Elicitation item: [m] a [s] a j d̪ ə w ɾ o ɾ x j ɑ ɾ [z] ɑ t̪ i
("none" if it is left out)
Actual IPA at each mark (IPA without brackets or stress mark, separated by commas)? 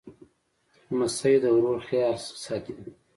m, s, s